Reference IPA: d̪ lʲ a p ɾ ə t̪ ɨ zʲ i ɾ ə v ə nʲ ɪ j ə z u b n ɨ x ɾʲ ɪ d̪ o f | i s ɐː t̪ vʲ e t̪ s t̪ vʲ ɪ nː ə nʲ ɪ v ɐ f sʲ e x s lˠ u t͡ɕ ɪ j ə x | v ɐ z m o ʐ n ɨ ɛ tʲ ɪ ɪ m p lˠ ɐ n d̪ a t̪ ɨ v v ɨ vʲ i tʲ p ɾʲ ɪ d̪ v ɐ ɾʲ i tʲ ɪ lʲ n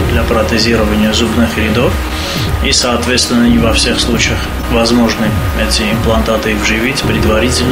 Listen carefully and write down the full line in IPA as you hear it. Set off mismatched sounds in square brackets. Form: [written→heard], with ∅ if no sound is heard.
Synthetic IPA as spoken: d̪ lʲ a p ɾ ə t̪ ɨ zʲ i ɾ ə v ə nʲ ɪ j ə z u b n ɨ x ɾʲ ɪ d̪ o f | i s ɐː t̪ vʲ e t̪ s t̪ vʲ ɪ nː ə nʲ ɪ v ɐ f sʲ e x s lˠ u t͡ɕ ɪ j ə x | v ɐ z m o ʐ n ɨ ɛ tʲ ɪ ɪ m p lˠ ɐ n [d̪→t̪] a t̪ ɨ v [v→ʐ] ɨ vʲ i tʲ p ɾʲ ɪ d̪ v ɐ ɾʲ i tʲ ɪ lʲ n